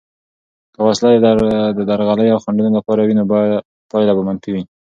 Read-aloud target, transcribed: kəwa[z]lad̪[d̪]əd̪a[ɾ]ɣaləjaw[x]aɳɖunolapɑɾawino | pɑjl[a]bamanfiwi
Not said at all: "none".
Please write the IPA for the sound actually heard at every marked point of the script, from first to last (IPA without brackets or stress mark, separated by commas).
s, d̪, ɾ, x, a